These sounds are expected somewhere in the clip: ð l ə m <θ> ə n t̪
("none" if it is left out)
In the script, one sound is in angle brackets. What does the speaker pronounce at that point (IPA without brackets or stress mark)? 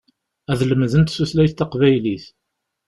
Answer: ð